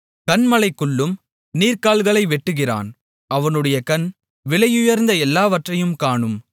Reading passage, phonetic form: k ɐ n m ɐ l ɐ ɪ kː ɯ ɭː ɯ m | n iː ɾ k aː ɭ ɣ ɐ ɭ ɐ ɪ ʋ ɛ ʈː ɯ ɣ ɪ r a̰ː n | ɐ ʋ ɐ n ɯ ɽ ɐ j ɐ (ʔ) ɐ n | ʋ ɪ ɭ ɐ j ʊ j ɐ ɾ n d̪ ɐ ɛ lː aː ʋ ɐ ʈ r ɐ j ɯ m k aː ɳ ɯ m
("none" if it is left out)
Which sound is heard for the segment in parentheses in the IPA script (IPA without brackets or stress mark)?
k